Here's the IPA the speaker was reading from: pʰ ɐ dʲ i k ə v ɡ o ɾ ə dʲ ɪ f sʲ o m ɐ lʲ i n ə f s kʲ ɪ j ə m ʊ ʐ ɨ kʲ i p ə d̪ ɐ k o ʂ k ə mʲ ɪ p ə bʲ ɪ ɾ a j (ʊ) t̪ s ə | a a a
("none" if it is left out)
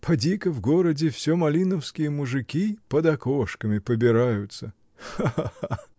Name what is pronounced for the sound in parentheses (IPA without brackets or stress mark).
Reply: ʊ